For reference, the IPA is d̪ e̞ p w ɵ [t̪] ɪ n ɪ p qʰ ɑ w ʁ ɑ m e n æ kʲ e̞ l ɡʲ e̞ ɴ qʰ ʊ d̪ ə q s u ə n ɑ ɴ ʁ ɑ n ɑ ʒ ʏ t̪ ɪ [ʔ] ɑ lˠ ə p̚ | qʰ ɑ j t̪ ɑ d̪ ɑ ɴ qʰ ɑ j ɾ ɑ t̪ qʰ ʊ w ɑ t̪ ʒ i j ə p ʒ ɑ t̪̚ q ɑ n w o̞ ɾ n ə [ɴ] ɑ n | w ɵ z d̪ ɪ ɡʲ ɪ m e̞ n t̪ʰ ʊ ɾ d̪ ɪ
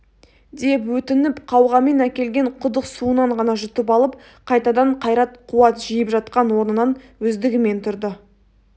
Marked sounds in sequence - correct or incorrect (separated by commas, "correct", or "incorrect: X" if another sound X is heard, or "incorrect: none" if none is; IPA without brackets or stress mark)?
correct, incorrect: p, incorrect: n